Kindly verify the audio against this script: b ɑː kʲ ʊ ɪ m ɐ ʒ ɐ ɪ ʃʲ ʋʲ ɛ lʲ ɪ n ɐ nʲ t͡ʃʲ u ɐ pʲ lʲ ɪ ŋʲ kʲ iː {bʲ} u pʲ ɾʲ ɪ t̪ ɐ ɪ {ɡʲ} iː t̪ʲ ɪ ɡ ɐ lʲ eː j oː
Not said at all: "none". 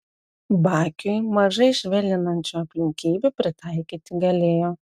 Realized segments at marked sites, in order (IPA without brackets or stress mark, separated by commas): bʲ, kʲ